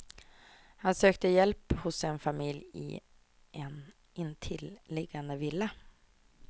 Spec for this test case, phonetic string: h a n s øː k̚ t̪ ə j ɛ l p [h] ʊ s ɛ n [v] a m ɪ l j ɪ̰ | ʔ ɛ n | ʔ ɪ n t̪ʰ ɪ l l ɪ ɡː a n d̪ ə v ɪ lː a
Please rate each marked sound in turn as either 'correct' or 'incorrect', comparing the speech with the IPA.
correct, incorrect

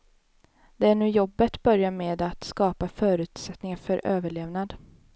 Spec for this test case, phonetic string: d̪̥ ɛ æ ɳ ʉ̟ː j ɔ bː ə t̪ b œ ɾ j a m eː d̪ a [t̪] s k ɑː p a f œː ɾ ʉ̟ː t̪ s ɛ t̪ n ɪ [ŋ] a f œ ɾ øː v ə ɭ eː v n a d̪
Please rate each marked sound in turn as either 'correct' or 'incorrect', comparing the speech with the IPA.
correct, correct

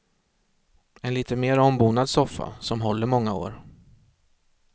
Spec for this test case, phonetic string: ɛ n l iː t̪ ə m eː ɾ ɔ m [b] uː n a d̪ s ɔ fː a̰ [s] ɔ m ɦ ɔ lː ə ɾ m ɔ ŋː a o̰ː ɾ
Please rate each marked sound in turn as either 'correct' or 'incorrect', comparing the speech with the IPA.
correct, correct

